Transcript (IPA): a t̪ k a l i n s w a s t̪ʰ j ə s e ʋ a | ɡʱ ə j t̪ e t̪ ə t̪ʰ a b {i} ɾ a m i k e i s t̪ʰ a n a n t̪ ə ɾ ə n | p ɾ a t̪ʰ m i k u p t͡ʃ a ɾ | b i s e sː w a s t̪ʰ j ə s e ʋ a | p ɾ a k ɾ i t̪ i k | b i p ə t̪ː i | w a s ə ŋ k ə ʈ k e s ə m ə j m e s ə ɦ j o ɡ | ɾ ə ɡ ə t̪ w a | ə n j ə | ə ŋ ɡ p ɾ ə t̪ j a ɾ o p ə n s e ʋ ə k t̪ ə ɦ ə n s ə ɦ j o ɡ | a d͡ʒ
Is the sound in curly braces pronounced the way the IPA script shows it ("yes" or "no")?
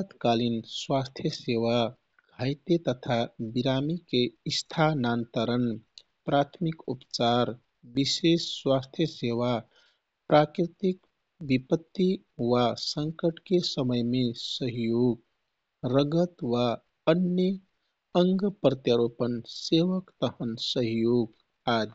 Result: yes